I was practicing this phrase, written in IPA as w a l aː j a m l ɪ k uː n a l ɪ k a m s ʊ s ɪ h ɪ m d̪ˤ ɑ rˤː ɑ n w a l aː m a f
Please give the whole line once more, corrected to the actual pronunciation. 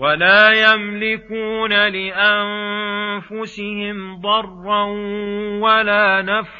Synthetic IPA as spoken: w a l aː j a m l ɪ k uː n a l ɪ ʔ a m f ʊ s ɪ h ɪ m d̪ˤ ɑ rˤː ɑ n w a l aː n a f